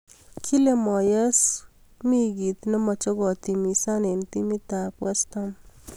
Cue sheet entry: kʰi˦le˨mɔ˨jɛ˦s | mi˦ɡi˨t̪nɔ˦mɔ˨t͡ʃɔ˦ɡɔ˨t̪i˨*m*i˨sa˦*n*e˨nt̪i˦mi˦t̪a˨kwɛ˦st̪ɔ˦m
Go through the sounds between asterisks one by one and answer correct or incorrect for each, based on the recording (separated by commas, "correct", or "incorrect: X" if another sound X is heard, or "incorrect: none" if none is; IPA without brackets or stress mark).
correct, correct